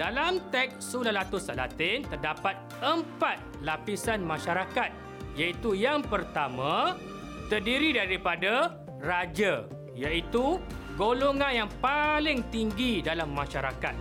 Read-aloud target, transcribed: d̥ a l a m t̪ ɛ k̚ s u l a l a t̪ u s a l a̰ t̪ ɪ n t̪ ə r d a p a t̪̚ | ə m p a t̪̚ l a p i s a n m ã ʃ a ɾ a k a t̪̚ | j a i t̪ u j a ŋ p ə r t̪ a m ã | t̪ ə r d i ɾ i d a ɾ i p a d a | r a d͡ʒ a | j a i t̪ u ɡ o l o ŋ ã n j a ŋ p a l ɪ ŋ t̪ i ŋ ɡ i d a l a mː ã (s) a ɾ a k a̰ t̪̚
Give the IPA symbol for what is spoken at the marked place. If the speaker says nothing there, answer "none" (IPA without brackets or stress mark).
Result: ʃ